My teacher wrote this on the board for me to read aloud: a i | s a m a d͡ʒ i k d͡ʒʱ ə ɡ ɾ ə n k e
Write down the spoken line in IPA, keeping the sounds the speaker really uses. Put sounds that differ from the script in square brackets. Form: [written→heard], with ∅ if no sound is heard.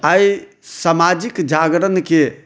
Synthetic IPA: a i | s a m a d͡ʒ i k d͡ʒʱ [ə→a] ɡ ɾ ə n k e